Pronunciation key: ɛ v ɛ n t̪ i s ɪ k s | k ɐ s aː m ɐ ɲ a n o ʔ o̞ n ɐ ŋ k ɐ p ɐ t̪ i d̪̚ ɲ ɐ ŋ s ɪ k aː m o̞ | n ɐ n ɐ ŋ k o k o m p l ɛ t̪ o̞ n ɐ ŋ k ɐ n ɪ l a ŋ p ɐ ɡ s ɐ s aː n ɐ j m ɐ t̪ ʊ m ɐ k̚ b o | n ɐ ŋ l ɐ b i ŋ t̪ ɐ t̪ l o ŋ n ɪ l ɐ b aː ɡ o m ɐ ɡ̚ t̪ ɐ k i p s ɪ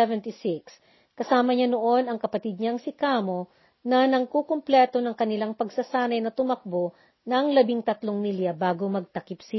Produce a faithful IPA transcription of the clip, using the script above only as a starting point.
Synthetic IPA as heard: ɛ v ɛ n t̪ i s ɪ k s | k ɐ s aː m ɐ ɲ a n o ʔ o̞ n ɐ ŋ k ɐ p ɐ t̪ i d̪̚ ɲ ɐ ŋ s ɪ k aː m o̞ | n ɐ n ɐ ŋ k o k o m p l ɛ t̪ o̞ n ɐ ŋ k ɐ n ɪ l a ŋ p ɐ ɡ s ɐ s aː n ɐ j n ɐ t̪ ʊ m ɐ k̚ b o | n ɐ ŋ l ɐ b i ŋ t̪ ɐ t̪ l o ŋ n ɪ l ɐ b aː ɡ o m ɐ ɡ̚ t̪ ɐ k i p s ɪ